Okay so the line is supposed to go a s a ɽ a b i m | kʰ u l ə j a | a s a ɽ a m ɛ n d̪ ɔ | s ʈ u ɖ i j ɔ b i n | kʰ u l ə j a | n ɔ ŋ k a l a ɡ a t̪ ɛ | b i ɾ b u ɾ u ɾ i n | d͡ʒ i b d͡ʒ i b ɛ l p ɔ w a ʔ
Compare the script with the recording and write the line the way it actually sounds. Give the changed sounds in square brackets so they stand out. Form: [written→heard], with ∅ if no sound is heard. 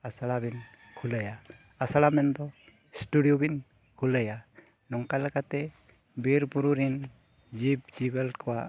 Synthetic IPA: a s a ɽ a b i [m→n] | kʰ u l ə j a | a s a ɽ a m ɛ n d̪ ɔ | s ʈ u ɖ i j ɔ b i n | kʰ u l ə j a | n ɔ ŋ k a l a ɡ a t̪ ɛ | b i ɾ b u ɾ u ɾ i n | d͡ʒ i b d͡ʒ i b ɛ l [p→k] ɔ w a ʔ